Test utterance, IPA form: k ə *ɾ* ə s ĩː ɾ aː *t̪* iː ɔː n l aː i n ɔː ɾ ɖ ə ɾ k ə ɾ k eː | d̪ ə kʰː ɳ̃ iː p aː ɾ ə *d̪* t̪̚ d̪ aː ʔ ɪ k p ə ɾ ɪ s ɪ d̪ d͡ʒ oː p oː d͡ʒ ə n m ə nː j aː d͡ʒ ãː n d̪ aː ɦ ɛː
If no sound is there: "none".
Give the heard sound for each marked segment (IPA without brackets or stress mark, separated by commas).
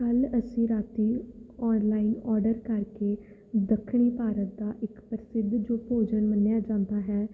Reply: l, t̪, none